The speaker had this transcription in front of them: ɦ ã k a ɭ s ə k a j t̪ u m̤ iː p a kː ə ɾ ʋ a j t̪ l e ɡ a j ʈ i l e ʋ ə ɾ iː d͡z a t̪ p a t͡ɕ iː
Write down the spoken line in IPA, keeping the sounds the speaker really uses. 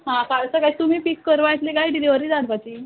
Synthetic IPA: ɦ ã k a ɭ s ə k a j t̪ u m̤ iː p i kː ə ɾ ʋ a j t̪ l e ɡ a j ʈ i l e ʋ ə ɾ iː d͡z a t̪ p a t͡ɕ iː